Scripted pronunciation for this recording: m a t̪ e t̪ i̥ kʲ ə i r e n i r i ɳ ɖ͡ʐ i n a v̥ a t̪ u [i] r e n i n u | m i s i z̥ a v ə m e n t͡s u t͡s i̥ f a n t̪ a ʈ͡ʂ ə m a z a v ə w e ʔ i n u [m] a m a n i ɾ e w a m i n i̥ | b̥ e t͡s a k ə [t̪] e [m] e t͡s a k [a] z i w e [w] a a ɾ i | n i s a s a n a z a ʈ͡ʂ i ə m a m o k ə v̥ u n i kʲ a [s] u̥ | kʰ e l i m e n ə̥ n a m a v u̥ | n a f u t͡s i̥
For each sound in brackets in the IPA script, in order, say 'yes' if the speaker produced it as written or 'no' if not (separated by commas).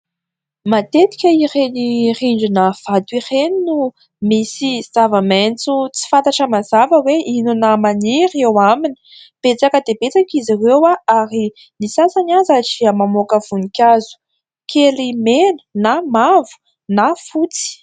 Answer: yes, no, no, no, no, yes, no